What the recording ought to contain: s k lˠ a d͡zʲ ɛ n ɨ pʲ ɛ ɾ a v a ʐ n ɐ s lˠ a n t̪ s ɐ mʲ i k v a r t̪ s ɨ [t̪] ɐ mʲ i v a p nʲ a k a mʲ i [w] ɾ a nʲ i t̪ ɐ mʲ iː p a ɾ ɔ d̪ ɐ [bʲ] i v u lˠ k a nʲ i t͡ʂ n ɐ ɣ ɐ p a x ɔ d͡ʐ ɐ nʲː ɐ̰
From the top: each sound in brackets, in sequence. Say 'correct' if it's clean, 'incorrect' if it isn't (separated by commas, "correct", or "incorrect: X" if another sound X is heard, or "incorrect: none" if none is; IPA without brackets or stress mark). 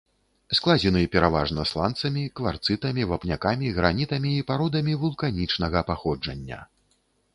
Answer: correct, incorrect: ɣ, incorrect: mʲ